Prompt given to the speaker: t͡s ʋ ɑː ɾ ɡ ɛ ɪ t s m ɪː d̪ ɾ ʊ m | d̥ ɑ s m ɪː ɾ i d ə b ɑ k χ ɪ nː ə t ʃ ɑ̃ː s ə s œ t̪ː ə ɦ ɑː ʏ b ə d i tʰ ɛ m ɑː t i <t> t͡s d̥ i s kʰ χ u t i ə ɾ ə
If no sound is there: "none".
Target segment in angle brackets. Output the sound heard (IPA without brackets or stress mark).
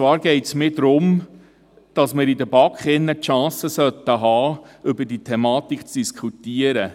k